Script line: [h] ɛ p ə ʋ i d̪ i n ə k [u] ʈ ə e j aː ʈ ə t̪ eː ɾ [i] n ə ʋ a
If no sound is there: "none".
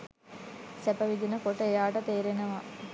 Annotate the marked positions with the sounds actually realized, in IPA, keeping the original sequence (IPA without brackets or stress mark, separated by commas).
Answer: s, o, e